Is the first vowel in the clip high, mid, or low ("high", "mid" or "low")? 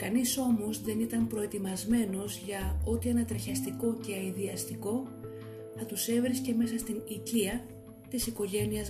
low